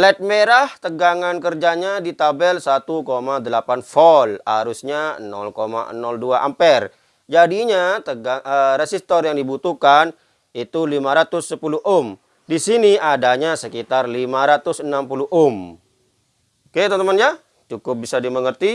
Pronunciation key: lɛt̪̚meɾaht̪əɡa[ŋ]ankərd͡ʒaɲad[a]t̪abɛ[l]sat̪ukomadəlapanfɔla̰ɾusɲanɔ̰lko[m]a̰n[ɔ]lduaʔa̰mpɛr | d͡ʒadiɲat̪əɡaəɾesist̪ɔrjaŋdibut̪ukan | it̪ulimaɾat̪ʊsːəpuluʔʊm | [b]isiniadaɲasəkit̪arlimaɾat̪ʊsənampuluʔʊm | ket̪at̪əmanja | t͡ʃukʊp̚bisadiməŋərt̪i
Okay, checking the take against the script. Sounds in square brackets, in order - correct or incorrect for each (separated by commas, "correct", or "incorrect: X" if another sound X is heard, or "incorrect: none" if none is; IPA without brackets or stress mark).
correct, incorrect: i, correct, correct, correct, incorrect: d